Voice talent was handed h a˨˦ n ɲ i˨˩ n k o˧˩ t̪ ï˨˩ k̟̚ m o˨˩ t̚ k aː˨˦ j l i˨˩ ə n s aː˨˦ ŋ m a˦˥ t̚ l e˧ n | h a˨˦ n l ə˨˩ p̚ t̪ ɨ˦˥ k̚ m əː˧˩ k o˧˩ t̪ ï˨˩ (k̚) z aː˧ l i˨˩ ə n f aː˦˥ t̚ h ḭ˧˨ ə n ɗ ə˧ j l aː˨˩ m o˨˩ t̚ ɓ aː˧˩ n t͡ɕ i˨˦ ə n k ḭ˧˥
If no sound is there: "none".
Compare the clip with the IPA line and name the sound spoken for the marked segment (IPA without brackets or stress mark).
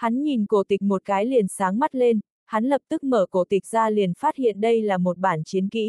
k̚